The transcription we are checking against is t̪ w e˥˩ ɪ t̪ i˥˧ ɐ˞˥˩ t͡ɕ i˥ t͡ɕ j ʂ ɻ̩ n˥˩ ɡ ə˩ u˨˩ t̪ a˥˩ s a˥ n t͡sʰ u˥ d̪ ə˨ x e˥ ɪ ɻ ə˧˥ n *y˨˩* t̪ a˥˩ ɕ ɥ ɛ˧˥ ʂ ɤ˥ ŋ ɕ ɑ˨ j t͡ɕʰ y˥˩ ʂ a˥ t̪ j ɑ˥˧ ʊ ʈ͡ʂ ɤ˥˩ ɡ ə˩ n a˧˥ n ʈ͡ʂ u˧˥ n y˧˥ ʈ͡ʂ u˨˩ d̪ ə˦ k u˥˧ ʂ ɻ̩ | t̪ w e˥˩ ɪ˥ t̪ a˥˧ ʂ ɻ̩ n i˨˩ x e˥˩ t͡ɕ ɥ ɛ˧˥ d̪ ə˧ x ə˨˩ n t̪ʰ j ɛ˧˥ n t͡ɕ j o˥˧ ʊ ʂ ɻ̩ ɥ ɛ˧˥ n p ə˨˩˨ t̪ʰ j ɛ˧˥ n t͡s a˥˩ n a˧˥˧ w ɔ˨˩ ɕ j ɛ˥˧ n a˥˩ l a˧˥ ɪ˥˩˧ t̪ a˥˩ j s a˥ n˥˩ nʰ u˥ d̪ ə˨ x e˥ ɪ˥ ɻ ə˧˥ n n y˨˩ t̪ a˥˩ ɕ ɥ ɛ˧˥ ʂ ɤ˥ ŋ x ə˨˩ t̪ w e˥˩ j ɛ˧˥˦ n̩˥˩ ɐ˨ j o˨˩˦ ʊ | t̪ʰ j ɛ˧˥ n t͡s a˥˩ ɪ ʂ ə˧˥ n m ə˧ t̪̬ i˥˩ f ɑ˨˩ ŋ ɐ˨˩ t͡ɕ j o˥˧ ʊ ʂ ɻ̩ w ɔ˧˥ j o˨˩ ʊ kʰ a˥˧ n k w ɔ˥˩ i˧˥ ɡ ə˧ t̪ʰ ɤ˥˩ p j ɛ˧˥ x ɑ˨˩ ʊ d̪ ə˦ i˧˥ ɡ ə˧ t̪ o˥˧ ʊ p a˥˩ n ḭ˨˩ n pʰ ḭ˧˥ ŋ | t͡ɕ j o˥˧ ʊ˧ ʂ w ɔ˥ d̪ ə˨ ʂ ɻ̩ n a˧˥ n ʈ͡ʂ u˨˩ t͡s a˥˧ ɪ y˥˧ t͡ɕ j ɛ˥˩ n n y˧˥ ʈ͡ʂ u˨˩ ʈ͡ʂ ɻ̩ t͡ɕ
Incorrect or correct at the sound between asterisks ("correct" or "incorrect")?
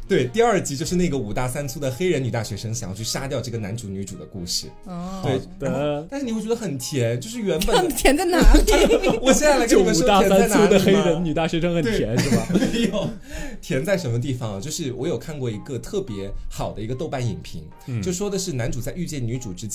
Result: correct